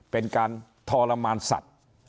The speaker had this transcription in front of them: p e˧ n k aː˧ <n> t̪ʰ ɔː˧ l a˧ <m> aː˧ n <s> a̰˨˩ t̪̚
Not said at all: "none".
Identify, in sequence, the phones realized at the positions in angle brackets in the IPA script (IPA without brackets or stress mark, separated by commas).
n, m, s